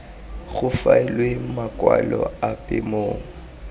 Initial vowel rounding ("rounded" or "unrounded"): rounded